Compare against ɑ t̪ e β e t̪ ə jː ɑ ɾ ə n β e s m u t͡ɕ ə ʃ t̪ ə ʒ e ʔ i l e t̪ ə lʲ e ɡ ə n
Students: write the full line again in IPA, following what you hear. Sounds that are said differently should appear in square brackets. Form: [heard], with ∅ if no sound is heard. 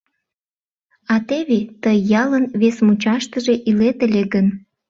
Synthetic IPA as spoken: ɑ t̪ e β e t̪ ə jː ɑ [l] ə n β e s m u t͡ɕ [ɑ] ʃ t̪ ə ʒ e ʔ i l e t̪ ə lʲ e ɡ ə n